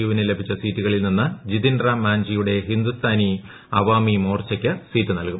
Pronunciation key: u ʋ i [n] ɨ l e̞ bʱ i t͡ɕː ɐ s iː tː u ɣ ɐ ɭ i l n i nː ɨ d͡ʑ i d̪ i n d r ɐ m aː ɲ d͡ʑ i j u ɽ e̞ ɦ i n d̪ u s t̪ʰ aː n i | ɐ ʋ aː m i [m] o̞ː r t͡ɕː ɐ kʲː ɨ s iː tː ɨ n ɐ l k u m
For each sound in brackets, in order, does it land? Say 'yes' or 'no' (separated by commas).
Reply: yes, yes